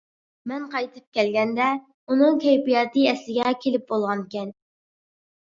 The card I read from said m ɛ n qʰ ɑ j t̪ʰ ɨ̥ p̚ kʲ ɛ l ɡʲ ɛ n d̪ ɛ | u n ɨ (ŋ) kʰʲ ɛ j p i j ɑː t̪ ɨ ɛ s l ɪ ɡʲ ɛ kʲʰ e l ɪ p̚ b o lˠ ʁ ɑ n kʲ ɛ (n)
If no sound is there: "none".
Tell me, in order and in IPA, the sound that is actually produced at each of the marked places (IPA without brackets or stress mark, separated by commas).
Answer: ŋ, n